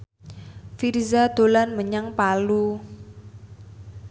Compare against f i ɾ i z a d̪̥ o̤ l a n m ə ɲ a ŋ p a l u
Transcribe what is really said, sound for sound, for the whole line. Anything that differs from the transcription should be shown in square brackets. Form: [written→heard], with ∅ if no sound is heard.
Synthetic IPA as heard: f i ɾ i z a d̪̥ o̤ l a n m ə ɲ a ŋ p a l u